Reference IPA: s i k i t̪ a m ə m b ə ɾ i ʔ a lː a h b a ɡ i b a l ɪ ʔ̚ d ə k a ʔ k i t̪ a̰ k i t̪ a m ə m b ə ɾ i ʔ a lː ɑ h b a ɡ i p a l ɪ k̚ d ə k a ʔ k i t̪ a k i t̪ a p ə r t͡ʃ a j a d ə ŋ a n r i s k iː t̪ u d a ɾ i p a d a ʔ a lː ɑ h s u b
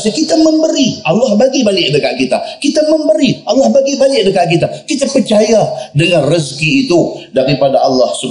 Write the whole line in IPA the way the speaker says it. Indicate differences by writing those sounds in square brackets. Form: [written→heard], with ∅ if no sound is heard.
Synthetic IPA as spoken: s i k i t̪ a m ə m b ə ɾ i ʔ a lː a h b a ɡ i b a l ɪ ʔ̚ d ə k a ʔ k i t̪ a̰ k i t̪ a m ə m b ə ɾ i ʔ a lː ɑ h b a ɡ i [p→b] a l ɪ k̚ d ə k a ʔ k i t̪ a k i t̪ a p ə r t͡ʃ a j a d ə ŋ a n r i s k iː t̪ u d a ɾ i p a d a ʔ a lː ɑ h s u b